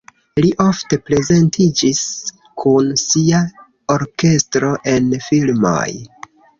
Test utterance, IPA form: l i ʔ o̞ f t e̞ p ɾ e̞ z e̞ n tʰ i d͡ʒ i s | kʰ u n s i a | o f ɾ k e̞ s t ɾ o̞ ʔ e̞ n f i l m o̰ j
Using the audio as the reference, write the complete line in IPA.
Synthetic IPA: l i ʔ o̞ f t e̞ p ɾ e̞ z e̞ n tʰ i d͡ʒ i s | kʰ u n s i a | o ɾ k e̞ s t ɾ o̞ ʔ e̞ n f i l m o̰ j